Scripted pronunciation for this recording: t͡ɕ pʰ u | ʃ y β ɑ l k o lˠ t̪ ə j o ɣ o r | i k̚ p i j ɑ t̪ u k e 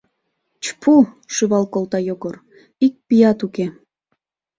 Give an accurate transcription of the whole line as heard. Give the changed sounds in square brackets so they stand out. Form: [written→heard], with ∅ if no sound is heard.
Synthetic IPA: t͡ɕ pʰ u | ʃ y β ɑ l k o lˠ t̪ [ə→ɑ] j o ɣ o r | i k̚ p i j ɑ t̪ u k e